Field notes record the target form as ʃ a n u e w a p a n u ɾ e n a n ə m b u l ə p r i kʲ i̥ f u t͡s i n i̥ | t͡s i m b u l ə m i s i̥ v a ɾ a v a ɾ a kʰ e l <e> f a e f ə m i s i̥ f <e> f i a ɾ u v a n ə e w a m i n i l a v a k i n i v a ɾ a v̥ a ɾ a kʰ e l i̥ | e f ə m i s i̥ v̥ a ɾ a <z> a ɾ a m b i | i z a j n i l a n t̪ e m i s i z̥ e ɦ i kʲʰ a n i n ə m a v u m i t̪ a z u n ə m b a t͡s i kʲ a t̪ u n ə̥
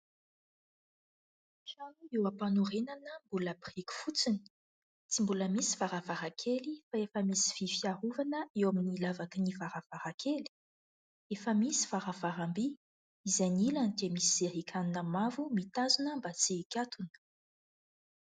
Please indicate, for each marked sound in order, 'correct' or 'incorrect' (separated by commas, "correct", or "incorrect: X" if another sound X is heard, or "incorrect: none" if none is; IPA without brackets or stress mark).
incorrect: i, incorrect: i, incorrect: v